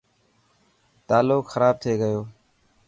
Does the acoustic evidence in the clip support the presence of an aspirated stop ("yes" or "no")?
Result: yes